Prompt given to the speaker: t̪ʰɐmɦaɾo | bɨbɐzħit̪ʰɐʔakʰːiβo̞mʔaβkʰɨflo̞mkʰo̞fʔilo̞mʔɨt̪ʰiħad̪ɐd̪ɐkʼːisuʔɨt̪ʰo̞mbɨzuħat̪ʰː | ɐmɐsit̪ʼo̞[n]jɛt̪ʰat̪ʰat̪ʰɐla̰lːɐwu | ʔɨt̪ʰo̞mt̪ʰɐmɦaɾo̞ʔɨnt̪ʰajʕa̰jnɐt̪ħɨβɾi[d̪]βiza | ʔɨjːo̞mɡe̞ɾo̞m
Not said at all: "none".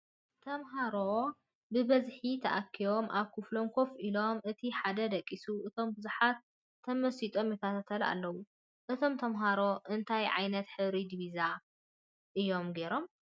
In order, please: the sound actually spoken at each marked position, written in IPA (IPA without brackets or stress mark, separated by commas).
m, d̪